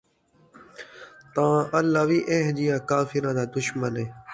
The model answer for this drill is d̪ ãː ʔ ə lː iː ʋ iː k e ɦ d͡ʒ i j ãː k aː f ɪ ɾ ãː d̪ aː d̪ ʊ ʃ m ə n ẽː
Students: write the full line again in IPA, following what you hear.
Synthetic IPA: t̪ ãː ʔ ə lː aː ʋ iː ʔ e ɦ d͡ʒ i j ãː k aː f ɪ ɾ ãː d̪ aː d̪ ʊ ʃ m ə n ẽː